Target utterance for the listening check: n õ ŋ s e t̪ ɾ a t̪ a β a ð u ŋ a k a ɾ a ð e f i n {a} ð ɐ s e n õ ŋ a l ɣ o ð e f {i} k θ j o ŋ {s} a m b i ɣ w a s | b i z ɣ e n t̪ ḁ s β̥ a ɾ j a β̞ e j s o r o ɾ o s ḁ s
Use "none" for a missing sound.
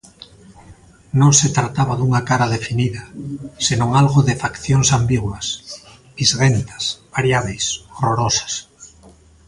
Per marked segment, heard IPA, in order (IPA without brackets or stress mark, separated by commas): i, a, s